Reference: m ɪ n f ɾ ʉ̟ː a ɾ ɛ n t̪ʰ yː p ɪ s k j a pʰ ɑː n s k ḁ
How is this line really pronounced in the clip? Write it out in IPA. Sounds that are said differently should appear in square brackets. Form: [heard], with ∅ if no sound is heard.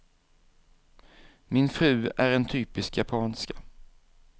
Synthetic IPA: m ɪ n f ɾ ʉ̟ː [æ] ɾ ɛ n t̪ʰ yː p ɪ s k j a pʰ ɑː n s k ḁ